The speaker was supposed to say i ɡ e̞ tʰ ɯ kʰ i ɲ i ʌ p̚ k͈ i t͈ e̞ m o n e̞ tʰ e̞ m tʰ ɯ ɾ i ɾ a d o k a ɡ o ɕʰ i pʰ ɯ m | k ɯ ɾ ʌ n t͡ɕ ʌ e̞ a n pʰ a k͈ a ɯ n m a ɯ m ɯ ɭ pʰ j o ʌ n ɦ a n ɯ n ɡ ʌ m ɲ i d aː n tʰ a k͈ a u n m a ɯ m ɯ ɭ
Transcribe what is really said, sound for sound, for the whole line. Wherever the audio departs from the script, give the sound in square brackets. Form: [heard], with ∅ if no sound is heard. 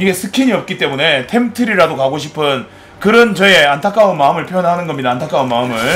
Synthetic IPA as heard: i ɡ e̞ [sʰ] ɯ kʰ i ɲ i ʌ p̚ k͈ i t͈ e̞ m [u] n e̞ tʰ e̞ m tʰ ɯ ɾ i ɾ a d o k a ɡ o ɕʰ i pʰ ɯ [n] | k ɯ ɾ ʌ n t͡ɕ ʌ e̞ a n [tʰ] a k͈ a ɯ n m a ɯ m ɯ ɭ pʰ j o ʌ n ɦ a n ɯ n ɡ ʌ m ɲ i d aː n tʰ a k͈ a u n m a ɯ m ɯ ɭ